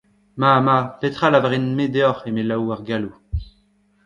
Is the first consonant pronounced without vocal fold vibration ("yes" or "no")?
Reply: no